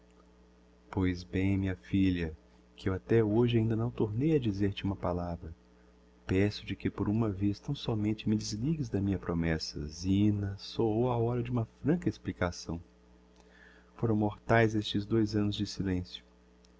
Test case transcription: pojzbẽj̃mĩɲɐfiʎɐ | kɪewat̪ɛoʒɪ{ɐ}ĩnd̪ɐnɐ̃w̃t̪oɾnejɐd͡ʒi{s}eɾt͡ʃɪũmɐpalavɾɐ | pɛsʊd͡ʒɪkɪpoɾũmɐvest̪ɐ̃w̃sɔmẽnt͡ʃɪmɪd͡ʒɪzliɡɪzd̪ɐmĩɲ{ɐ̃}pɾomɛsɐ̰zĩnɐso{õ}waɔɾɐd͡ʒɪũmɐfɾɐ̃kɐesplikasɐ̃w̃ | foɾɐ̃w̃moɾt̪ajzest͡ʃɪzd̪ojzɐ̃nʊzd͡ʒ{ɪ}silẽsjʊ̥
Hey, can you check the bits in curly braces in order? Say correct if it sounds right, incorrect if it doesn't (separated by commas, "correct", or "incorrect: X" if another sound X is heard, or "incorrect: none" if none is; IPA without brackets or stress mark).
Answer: incorrect: a, incorrect: z, incorrect: ɐ, incorrect: o, correct